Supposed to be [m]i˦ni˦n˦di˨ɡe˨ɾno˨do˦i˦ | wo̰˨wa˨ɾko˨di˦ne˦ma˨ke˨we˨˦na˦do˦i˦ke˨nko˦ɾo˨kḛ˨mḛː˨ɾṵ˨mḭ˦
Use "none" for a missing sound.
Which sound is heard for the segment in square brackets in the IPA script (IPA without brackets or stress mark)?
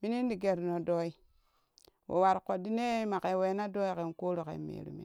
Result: m